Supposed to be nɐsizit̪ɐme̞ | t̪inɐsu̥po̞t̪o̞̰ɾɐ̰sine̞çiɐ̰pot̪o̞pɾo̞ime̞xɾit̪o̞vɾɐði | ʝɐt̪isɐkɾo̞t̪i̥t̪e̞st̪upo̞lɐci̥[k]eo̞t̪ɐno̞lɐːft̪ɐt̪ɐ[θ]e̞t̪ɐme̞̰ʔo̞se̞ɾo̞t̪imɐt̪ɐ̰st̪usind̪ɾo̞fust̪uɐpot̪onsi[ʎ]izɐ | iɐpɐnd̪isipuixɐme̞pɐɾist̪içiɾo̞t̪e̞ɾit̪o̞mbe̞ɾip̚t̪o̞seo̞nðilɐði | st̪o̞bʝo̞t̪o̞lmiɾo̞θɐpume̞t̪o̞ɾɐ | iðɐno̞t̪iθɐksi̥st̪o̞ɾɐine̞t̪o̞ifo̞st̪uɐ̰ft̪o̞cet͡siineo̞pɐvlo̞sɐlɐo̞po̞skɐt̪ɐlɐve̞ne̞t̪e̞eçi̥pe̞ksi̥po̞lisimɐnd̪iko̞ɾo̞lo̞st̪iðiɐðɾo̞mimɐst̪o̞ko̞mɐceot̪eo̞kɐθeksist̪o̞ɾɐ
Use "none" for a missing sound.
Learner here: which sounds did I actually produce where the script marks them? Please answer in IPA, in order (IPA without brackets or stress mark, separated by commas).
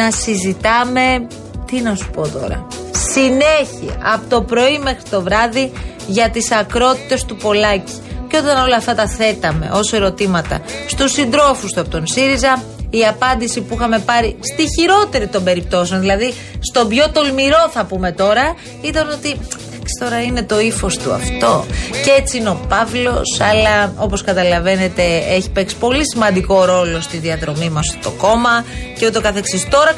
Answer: c, θ, ɾ